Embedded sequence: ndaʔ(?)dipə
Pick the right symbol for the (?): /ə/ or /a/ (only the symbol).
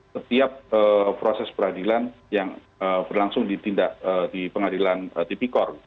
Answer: ə